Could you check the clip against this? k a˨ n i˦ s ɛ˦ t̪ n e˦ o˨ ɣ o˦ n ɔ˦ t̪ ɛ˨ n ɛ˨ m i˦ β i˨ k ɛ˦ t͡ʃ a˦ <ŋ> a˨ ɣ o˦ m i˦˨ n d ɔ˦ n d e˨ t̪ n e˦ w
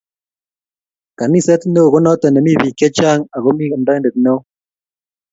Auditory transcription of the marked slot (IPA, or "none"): ŋ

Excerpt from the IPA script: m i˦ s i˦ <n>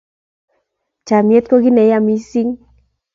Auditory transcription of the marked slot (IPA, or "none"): ŋ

